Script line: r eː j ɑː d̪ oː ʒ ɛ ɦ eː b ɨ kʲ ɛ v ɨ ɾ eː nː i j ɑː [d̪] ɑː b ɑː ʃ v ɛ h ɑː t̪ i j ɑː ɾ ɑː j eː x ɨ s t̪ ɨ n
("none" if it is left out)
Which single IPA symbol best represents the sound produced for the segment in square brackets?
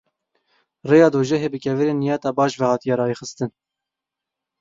t̪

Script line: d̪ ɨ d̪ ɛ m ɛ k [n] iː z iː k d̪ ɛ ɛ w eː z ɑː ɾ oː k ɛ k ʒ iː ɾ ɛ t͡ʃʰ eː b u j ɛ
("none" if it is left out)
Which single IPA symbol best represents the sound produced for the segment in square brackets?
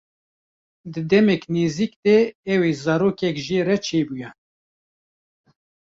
n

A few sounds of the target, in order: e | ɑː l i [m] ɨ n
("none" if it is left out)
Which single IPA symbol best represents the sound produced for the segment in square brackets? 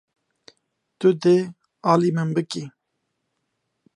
m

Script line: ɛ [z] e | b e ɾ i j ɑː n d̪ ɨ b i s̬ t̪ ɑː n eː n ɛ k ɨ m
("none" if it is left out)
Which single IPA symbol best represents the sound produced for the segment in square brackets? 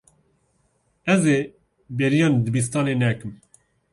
z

